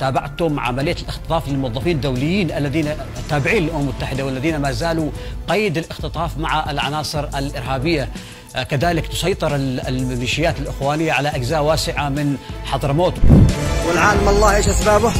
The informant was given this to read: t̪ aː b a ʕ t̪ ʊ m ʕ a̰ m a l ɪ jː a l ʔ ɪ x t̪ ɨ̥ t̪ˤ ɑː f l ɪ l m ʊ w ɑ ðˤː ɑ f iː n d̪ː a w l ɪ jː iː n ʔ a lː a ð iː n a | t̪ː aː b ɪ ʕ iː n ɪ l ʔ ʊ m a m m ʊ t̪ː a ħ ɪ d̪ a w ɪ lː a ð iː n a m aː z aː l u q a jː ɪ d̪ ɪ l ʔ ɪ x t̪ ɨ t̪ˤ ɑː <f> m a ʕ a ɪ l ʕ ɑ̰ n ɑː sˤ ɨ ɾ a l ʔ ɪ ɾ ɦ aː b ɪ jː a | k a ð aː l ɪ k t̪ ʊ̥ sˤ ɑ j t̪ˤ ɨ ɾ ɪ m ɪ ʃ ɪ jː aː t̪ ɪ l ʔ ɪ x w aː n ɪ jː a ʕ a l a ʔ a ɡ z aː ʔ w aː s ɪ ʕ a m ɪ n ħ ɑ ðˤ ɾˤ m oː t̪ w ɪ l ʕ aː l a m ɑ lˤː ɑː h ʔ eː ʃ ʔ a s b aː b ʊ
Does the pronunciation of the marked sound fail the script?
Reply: no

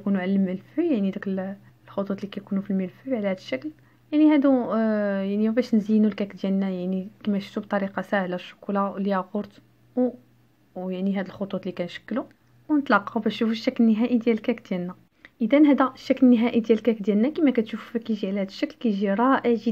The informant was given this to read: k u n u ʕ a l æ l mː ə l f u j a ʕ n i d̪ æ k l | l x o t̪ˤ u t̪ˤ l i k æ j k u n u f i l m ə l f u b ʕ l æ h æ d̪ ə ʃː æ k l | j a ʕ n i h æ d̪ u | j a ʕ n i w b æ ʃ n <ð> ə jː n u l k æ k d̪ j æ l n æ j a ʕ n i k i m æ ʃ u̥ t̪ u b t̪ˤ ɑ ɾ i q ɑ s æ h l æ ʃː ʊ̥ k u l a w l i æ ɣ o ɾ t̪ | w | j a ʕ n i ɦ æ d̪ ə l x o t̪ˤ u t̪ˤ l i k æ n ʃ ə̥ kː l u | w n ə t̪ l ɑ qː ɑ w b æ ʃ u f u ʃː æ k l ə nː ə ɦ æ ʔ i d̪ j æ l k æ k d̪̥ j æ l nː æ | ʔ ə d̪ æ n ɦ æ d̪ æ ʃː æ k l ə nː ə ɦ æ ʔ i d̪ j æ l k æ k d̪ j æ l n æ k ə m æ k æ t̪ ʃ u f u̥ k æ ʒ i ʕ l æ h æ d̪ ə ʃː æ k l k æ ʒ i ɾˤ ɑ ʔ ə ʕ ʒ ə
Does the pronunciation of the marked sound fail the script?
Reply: yes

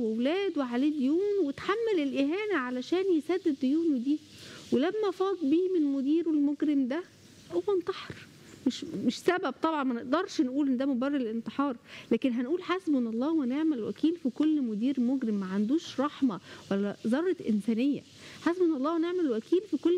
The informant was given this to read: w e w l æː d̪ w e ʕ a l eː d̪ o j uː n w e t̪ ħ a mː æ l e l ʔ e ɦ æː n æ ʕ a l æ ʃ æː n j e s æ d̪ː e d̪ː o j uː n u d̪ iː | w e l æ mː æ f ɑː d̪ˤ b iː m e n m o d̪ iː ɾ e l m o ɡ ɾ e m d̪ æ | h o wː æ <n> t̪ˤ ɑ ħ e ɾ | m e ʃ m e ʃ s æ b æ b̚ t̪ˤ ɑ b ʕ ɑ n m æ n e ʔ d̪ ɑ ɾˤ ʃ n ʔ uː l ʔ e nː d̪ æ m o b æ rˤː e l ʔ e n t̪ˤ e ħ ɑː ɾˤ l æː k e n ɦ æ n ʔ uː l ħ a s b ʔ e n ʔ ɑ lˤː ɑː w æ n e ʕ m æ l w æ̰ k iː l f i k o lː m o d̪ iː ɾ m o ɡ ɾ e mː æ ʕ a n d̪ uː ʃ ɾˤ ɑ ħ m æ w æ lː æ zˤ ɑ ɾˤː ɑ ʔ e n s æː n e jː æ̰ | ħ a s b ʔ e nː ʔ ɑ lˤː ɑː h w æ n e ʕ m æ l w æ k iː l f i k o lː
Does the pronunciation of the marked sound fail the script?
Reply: no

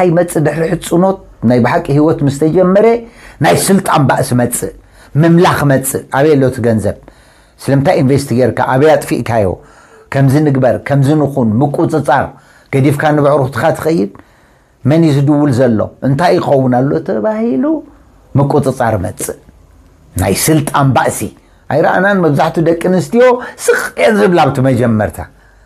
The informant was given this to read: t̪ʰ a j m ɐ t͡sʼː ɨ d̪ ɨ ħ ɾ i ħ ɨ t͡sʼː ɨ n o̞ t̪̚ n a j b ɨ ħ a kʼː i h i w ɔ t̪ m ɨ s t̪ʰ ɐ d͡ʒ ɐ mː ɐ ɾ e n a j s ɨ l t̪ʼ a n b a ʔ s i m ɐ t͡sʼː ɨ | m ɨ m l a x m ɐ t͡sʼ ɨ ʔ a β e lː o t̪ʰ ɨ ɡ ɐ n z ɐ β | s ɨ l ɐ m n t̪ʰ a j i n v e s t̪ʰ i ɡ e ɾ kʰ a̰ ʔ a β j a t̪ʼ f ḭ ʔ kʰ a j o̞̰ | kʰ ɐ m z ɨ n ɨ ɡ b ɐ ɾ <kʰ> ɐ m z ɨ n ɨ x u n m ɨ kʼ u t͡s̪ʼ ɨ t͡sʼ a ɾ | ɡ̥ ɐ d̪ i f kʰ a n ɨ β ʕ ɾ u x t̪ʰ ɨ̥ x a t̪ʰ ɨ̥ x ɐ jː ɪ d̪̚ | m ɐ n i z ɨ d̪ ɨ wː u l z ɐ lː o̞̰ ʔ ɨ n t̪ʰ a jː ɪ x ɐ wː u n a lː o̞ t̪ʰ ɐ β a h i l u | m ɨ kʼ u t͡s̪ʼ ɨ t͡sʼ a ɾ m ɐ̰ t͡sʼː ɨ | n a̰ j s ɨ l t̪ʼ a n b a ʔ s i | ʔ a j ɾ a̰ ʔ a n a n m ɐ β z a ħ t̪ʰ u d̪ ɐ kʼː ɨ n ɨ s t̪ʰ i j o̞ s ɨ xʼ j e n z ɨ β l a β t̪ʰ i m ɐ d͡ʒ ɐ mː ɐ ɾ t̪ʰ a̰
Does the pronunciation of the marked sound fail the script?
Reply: no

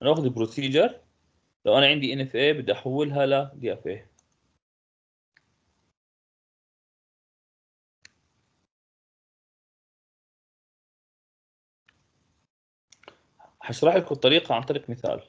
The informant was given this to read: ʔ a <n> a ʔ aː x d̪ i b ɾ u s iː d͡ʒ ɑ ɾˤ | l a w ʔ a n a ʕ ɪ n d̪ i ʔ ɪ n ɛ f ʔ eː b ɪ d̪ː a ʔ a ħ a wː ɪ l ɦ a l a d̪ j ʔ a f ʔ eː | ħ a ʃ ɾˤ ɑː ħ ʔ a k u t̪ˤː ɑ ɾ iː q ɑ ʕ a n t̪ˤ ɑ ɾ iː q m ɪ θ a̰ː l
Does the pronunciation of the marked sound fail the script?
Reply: no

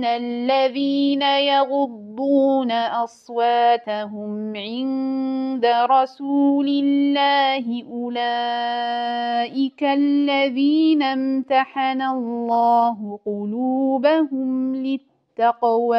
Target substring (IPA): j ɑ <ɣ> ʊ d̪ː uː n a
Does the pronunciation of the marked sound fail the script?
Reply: no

